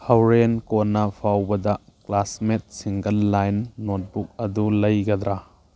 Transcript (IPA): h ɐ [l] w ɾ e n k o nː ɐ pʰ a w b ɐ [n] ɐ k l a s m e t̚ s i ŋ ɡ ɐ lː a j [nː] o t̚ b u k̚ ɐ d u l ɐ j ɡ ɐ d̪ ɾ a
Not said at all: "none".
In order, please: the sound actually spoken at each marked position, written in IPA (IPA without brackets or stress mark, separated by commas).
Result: none, d, nː